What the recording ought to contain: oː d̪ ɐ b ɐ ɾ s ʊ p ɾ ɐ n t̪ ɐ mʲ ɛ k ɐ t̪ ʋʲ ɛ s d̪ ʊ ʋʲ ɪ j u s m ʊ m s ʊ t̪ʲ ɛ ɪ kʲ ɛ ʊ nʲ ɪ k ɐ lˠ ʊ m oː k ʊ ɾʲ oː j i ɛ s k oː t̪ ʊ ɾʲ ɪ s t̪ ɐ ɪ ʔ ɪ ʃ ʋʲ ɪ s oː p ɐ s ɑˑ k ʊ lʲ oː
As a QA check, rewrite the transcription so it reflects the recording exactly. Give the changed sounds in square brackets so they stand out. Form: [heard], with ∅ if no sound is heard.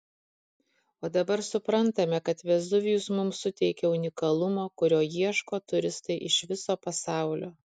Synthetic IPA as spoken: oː d̪ ɐ b ɐ ɾ s ʊ p ɾ ɐ n t̪ ɐ mʲ ɛ k ɐ t̪ ʋʲ ɛ [z] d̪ ʊ ʋʲ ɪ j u s m ʊ m s ʊ t̪ʲ ɛ ɪ kʲ ɛ ʊ nʲ ɪ k ɐ lˠ ʊ m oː k ʊ ɾʲ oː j i ɛ [ʃ] k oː t̪ ʊ ɾʲ ɪ s t̪ ɐ ɪ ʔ ɪ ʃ ʋʲ ɪ s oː p ɐ s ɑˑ [∅] ʊ lʲ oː